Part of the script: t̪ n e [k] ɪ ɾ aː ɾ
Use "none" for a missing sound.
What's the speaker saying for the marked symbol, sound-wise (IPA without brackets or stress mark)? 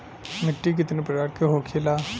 p